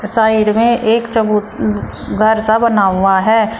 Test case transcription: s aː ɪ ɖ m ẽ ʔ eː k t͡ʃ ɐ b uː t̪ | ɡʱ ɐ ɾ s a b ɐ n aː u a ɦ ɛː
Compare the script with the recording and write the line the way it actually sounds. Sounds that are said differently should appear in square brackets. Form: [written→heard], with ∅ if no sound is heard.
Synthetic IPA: s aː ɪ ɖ m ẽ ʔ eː k t͡ʃ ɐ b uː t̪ | ɡʱ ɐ ɾ s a b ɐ n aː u a ɦ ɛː